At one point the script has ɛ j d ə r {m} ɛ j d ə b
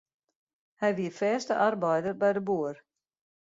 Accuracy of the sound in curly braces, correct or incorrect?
incorrect